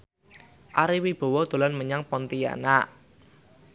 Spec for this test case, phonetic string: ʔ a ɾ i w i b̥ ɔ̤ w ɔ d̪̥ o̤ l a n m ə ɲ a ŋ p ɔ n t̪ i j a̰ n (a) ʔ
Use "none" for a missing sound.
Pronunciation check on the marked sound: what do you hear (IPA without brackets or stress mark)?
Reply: a